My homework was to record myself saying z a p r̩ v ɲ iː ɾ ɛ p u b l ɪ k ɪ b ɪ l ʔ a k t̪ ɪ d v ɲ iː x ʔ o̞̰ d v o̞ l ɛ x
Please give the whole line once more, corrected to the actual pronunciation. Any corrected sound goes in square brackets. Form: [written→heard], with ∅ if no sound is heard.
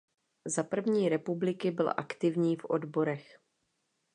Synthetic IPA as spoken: z a p r̩ v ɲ iː ɾ ɛ p u b l ɪ k ɪ b ɪ l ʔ a k t̪ ɪ [d→∅] v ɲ iː [x→f] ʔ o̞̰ d [v→b] o̞ [l→ɾ] ɛ x